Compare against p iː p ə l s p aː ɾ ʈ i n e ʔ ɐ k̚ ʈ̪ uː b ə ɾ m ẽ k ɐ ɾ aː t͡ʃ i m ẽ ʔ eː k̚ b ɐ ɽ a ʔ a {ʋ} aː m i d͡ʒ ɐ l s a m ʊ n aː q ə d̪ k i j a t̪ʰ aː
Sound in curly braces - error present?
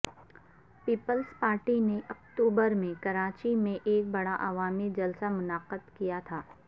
no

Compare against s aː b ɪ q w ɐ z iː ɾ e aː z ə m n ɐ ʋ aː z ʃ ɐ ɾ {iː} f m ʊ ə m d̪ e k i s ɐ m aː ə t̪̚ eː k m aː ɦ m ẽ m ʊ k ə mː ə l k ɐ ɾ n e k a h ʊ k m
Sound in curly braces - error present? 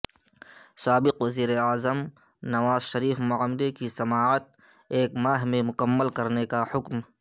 no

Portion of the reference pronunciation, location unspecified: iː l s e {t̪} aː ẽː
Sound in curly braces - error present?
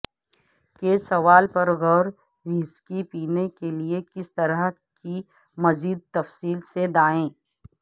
yes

